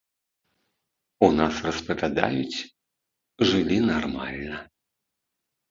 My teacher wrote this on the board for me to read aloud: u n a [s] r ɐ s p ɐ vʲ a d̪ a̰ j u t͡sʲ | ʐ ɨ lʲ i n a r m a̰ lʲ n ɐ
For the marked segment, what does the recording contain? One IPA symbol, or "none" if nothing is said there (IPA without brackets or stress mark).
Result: s